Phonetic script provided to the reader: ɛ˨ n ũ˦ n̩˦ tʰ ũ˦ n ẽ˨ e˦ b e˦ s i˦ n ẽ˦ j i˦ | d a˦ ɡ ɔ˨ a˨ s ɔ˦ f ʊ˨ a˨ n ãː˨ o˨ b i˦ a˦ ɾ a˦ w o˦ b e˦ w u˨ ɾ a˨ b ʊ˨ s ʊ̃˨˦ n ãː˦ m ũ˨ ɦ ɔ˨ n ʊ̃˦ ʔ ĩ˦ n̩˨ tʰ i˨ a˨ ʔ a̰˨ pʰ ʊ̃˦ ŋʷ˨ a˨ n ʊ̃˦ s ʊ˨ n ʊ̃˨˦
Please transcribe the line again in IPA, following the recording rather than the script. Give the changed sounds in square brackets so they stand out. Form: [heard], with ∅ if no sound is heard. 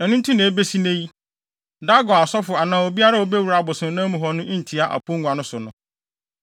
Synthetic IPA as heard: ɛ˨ n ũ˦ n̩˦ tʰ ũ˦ n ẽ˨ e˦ b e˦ s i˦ n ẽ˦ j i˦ | d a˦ ɡ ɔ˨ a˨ s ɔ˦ f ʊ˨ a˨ n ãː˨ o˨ b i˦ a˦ ɾ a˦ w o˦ b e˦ w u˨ ɾ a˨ b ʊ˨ s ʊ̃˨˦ n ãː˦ m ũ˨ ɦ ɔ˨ n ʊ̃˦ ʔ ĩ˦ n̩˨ tʰ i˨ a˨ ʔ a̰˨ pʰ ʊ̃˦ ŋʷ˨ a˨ n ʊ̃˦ s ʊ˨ n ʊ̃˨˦

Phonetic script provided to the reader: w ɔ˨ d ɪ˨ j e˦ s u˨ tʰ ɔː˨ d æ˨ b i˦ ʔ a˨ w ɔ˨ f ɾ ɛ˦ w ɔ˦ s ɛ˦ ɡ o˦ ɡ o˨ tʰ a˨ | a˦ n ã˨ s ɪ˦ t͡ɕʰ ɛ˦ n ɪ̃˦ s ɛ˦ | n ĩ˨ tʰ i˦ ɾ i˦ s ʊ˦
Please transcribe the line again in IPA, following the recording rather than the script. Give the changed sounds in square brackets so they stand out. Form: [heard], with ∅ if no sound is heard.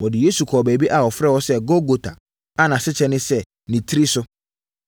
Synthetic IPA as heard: w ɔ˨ d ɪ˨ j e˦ s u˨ [kʰ] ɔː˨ [b] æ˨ b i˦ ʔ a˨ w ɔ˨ f ɾ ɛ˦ w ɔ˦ s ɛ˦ ɡ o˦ ɡ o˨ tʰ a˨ | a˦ n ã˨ s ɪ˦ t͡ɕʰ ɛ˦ n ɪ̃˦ s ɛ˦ | n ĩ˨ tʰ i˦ ɾ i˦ s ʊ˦

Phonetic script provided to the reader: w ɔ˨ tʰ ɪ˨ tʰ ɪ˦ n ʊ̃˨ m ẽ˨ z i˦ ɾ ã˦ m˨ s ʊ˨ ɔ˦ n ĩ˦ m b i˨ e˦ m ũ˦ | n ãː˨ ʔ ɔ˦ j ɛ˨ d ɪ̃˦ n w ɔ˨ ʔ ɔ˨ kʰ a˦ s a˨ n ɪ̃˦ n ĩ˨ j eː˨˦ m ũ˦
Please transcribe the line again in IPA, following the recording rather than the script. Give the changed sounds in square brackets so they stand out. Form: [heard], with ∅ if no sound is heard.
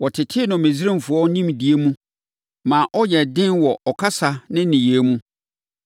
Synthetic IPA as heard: w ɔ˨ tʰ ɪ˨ tʰ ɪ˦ n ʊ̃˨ m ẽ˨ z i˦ ɾ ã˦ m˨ [f] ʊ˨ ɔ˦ n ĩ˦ m [d] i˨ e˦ m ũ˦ | [m] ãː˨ ʔ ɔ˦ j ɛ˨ d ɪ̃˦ n w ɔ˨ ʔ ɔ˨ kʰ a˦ s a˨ n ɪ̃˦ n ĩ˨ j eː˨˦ m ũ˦

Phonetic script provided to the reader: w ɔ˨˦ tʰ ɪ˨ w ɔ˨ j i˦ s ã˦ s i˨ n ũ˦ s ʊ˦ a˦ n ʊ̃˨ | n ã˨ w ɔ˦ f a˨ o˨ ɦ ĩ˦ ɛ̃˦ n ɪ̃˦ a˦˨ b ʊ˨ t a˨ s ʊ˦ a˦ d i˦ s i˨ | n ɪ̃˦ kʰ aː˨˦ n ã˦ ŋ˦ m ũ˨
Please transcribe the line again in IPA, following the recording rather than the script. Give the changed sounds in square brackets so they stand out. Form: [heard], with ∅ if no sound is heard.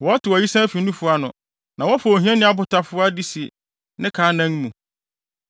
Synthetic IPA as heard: w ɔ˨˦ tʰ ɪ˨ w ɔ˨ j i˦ s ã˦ [f] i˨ n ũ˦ [f] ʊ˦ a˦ n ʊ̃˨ | n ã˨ w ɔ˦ f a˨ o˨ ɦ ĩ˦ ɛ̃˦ n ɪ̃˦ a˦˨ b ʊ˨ t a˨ [f] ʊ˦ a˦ d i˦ s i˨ | n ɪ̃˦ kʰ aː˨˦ n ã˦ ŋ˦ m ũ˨

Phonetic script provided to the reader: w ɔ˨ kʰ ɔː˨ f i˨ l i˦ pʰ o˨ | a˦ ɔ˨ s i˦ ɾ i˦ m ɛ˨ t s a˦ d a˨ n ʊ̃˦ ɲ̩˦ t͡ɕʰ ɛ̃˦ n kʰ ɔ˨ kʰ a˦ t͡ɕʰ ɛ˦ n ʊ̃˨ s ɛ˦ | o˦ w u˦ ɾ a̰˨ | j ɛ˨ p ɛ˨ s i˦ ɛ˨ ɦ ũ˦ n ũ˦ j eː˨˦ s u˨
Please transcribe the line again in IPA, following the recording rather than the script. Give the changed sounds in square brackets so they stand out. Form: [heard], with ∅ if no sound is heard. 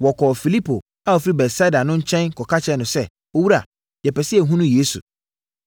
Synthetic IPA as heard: w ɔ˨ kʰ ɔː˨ f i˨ l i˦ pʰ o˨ | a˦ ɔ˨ [f] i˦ ɾ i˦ [b] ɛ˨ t s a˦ d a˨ n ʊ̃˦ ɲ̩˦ t͡ɕʰ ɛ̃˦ n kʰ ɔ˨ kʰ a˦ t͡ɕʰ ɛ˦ n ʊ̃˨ s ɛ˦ | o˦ w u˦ ɾ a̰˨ | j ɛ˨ p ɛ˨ s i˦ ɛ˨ ɦ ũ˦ n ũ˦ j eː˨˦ s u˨

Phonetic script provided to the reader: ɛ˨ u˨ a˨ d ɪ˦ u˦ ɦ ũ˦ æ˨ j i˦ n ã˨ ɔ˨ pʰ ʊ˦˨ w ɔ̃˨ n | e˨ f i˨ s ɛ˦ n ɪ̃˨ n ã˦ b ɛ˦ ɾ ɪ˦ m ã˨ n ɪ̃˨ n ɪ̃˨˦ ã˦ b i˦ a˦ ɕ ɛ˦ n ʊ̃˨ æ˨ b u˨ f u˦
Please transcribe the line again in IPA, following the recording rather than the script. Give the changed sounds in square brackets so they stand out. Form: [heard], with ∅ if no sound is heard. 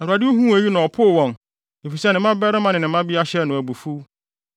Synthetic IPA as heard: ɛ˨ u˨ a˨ d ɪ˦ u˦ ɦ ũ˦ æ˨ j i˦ n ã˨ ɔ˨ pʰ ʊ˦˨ w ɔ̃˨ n | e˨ f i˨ s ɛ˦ n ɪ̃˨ [m] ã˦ b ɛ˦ ɾ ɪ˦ m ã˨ n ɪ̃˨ n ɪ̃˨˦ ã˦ b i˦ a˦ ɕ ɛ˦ n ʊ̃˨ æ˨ b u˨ f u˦

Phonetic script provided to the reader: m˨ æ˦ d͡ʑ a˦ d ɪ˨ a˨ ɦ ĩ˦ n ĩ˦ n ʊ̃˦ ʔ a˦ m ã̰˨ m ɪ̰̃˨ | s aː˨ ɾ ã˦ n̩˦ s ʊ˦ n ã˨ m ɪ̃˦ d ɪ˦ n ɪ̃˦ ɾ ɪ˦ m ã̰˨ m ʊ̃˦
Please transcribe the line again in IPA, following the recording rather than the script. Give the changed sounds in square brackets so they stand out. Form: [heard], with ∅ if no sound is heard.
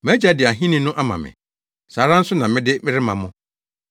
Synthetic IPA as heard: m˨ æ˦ d͡ʑ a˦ d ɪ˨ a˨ ɦ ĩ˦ n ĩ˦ n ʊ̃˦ ʔ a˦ m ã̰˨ m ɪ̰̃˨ | s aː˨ ɾ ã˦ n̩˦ s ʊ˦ n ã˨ m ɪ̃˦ d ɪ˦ [m] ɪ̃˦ ɾ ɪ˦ m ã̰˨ m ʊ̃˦

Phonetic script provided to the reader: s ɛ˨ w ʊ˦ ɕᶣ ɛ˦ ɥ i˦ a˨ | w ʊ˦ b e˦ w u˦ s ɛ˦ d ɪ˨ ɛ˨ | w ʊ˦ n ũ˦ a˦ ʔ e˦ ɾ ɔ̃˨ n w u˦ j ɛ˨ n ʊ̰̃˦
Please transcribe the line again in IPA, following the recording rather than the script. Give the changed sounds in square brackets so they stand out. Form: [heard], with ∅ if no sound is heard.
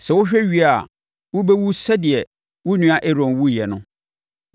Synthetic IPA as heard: s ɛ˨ w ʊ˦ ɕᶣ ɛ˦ ɥ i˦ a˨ | w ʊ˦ b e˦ w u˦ s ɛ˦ d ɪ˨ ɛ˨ | w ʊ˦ n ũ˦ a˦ ʔ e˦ ɾ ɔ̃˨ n w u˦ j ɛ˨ n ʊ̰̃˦

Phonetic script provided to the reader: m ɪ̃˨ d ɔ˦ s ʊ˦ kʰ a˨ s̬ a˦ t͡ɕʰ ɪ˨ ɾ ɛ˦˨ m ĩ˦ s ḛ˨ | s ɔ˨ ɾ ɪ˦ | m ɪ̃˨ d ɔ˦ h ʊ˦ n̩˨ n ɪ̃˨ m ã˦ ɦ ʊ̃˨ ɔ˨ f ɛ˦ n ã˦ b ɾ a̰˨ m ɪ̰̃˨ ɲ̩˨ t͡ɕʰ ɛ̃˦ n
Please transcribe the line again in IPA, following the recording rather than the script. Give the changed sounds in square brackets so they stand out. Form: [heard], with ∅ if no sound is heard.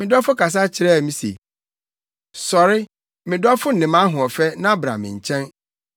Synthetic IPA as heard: m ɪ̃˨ d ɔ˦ [f] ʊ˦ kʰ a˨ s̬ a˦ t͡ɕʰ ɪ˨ ɾ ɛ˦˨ m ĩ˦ s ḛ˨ | s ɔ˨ ɾ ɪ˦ | m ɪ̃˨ d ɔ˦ [f] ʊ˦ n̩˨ n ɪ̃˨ m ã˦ ɦ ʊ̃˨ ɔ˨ f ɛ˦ n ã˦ b ɾ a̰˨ m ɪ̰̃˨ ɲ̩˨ t͡ɕʰ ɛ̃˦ n

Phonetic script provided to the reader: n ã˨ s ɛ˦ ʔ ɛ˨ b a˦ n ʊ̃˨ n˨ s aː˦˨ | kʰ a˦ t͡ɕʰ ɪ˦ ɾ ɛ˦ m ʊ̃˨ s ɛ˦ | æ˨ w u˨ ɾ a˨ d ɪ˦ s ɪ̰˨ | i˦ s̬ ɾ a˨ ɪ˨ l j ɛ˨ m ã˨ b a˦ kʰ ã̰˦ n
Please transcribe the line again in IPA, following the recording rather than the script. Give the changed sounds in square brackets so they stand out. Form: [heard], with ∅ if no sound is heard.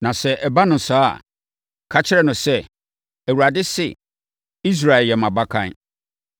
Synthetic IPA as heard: n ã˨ s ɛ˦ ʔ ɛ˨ b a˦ n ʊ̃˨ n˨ s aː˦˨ | kʰ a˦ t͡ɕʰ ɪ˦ ɾ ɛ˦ [n] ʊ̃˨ s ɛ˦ | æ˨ w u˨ ɾ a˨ d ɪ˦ s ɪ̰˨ | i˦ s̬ ɾ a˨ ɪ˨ l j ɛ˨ m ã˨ b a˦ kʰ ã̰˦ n

